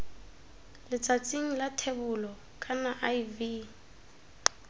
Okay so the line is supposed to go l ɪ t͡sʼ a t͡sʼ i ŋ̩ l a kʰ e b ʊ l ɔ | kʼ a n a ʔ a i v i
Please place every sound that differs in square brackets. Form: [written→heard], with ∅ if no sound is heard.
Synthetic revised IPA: l ɪ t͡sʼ a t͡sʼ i ŋ̩ l a [kʰ→tʰ] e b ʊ l ɔ | kʼ a n a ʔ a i v i